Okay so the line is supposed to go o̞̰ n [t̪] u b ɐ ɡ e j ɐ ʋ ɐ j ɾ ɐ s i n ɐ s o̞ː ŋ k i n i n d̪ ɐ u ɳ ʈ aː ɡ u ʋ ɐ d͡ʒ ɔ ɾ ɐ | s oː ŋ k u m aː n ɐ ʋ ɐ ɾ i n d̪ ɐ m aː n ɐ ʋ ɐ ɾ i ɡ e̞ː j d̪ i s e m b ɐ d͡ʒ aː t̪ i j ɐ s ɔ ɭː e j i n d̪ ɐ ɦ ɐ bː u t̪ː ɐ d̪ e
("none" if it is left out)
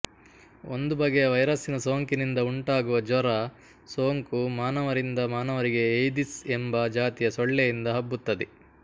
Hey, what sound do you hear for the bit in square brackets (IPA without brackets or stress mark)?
d̪